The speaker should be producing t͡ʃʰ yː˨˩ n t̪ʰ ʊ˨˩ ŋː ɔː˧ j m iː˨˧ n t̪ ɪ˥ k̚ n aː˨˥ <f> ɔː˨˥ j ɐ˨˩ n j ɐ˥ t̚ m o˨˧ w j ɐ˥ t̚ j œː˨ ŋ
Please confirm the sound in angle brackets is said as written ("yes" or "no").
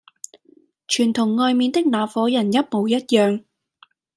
yes